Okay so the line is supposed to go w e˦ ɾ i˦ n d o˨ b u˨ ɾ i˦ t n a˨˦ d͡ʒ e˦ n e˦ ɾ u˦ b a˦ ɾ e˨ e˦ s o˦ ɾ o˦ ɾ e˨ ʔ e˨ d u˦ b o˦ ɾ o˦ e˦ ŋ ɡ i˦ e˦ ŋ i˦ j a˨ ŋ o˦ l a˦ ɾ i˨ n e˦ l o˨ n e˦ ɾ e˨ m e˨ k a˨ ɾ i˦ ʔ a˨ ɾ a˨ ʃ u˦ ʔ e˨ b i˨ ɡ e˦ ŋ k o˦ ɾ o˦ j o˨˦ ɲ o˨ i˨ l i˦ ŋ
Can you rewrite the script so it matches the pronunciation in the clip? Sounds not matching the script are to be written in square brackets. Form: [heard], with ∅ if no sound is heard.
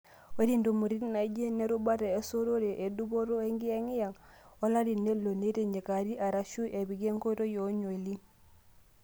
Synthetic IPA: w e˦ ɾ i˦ n d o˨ [m] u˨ ɾ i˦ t n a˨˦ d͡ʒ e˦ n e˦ ɾ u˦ b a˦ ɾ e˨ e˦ s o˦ ɾ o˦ ɾ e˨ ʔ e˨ d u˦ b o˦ ɾ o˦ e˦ ŋ ɡ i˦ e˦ ŋ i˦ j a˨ ŋ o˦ l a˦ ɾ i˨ n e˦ l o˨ n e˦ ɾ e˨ [ɲ] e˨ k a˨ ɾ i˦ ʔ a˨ ɾ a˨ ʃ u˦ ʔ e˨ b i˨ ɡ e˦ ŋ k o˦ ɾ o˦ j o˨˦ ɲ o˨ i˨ l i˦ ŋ

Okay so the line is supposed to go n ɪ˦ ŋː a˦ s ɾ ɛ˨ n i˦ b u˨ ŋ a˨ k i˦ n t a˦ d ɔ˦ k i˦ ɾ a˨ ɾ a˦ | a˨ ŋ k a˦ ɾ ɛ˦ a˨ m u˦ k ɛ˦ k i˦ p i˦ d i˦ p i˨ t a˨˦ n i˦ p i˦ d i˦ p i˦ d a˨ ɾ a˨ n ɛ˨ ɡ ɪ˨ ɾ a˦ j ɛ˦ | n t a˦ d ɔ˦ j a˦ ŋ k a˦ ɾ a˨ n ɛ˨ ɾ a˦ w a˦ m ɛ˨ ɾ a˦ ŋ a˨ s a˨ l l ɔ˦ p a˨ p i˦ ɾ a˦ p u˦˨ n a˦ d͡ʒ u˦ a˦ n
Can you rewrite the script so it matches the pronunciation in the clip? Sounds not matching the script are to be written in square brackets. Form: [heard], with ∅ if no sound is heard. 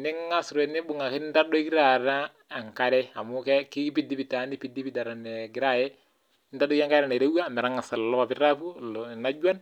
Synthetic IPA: n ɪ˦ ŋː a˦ s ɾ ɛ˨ n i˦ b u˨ ŋ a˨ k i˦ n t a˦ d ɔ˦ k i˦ ɾ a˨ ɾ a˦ | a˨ ŋ k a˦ ɾ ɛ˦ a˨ m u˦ k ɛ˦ k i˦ p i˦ d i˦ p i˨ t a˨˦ n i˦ p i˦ d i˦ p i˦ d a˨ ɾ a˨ n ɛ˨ ɡ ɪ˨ ɾ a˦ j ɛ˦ | n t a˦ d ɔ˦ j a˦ ŋ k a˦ ɾ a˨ n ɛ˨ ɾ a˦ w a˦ m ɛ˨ ɾ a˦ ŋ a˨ s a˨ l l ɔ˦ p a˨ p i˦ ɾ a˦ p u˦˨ n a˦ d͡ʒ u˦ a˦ n

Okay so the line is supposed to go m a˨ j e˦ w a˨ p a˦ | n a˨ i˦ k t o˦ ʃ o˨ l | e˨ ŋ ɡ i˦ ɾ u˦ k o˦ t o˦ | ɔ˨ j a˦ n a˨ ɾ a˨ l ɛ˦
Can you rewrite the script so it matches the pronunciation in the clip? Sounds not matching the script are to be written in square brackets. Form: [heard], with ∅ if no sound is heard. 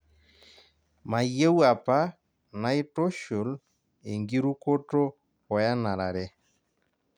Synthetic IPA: m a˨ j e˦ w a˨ p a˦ | n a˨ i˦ [∅] t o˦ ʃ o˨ l | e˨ ŋ ɡ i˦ ɾ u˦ k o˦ t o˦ | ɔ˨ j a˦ n a˨ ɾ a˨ [ɾ] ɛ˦

